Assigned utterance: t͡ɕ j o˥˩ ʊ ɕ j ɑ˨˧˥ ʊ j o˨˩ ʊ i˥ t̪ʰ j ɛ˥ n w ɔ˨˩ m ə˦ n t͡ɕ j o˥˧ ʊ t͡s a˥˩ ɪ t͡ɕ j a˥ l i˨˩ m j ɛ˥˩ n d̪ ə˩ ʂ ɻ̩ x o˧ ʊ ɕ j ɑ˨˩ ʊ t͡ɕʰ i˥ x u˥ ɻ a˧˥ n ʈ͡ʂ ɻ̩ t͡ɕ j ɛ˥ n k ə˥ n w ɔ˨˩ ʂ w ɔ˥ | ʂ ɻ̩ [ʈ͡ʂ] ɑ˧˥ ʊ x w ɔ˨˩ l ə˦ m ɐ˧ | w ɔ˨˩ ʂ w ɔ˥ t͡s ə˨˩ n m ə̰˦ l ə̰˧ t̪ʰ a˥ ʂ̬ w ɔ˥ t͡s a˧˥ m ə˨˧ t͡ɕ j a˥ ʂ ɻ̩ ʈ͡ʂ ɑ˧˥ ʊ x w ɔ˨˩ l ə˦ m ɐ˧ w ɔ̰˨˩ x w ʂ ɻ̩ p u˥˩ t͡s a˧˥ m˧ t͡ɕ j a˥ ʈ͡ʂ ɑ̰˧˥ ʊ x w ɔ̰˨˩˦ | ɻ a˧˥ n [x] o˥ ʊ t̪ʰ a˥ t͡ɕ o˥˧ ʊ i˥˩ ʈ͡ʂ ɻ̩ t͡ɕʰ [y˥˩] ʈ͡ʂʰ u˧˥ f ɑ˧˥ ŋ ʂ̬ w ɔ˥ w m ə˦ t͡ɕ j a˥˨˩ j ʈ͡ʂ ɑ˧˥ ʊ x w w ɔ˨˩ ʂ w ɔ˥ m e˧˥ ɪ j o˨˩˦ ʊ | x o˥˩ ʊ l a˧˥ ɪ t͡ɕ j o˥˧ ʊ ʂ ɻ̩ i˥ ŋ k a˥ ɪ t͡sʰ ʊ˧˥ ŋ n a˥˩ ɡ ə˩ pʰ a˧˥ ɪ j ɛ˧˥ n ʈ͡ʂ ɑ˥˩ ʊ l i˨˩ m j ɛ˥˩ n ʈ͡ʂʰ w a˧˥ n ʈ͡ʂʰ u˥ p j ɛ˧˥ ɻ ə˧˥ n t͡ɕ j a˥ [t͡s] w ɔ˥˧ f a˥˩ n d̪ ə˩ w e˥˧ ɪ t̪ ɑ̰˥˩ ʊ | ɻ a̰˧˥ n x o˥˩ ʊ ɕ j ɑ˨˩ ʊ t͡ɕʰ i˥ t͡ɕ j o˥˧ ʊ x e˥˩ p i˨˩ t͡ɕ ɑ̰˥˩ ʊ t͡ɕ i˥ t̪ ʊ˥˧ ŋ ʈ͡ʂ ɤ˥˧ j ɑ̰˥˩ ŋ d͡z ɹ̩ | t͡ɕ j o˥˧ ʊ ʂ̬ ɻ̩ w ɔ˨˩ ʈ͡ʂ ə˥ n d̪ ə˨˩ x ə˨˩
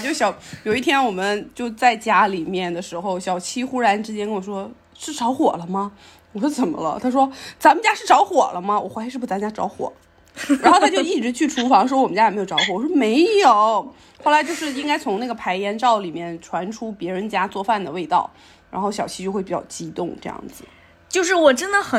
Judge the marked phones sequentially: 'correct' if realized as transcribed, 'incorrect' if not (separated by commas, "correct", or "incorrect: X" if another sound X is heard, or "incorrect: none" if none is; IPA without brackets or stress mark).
correct, correct, correct, correct